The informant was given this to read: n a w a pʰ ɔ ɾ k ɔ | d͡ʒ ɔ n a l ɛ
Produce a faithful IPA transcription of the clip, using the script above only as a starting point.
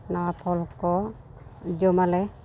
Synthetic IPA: n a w a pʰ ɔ l k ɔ | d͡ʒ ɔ m a l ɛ